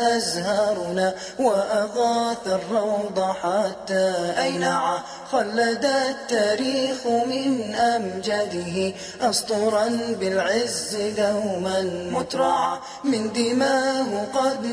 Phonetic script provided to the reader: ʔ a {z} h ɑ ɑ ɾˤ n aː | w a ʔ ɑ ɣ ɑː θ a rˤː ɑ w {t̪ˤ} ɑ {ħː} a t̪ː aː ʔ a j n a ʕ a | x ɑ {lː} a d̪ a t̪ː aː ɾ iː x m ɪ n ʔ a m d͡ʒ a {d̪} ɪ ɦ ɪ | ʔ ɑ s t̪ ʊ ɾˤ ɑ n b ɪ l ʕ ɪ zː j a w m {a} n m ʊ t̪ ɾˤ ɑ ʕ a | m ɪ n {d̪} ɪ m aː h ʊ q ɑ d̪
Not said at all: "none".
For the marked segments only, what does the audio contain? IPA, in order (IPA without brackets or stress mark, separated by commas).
z, d̪ˤ, ħ, lː, d̪, a, d̪